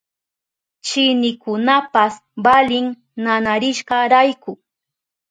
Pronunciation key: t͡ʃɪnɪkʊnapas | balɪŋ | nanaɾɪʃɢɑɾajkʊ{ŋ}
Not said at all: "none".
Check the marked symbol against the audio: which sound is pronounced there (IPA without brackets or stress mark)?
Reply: none